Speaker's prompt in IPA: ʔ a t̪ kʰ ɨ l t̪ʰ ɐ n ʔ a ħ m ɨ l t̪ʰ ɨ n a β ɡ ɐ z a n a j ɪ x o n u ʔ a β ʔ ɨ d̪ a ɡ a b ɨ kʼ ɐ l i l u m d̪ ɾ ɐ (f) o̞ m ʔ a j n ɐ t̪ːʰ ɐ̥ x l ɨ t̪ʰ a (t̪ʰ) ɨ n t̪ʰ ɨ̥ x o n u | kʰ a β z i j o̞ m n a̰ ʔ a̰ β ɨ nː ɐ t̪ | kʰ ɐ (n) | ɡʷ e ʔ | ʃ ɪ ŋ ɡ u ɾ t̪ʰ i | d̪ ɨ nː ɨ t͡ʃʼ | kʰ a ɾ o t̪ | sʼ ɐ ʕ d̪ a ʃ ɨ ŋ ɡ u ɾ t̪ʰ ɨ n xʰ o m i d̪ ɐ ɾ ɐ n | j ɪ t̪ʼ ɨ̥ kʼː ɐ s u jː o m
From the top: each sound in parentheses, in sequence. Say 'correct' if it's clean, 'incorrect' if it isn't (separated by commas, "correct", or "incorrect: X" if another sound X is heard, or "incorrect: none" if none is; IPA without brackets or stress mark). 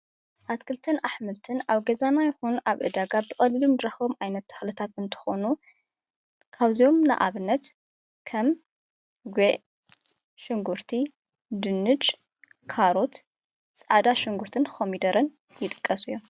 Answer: incorrect: x, incorrect: t̪, incorrect: m